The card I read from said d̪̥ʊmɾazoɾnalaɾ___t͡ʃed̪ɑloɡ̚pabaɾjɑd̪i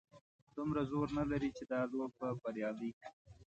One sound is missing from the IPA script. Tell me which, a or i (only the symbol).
i